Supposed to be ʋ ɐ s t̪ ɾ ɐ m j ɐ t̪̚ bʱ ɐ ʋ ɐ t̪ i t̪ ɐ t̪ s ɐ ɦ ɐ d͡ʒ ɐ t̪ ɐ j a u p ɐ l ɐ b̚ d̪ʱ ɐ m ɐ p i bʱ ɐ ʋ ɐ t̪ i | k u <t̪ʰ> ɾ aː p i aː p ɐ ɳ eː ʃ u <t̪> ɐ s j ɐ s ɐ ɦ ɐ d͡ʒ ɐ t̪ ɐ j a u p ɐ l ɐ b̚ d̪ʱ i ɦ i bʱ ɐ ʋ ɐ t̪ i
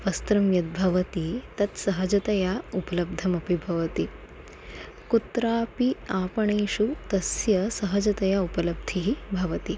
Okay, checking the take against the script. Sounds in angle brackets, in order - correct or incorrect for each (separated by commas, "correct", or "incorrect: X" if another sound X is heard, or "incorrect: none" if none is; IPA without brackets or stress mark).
incorrect: t̪, correct